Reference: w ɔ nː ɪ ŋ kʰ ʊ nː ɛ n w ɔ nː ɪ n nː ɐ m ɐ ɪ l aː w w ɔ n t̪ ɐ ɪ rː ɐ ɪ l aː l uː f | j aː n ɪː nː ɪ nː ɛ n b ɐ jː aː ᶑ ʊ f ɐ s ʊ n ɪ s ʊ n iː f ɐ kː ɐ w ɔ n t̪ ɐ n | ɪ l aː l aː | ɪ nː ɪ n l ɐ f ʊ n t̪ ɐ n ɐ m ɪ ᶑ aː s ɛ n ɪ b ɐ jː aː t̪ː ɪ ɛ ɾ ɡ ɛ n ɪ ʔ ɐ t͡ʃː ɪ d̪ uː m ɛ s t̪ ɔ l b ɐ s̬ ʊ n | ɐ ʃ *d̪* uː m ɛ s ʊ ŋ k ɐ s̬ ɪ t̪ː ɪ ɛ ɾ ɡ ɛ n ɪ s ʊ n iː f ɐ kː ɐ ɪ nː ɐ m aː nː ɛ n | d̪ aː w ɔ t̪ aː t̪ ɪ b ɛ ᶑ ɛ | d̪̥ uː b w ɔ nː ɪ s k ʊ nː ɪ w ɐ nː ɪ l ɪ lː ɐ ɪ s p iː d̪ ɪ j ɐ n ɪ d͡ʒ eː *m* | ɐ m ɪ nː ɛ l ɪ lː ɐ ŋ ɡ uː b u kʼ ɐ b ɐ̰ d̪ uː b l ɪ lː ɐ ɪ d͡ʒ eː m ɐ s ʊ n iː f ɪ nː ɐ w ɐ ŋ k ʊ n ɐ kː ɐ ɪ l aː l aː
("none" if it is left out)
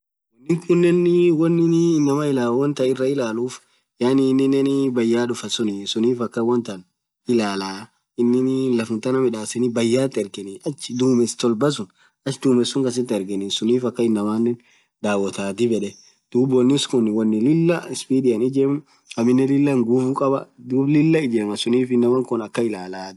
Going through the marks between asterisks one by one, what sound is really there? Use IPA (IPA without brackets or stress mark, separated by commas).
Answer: d̪, m